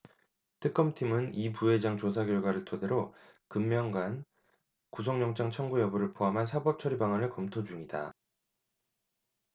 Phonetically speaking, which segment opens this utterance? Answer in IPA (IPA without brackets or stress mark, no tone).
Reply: tʰ